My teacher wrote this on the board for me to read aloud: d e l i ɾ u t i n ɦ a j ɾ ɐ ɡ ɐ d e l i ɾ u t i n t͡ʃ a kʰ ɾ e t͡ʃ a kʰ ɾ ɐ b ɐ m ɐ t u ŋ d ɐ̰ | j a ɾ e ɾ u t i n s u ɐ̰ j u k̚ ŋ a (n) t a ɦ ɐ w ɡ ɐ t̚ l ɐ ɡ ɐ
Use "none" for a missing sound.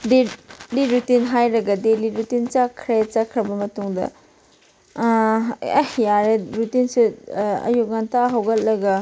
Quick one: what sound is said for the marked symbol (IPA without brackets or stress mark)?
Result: n